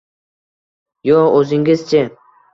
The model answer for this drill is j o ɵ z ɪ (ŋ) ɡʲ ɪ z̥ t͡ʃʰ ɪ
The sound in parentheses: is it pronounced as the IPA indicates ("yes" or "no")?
yes